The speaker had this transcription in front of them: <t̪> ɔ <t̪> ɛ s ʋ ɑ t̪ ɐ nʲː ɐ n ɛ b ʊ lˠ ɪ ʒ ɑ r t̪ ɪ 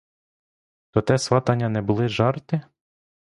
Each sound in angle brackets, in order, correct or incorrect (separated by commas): correct, correct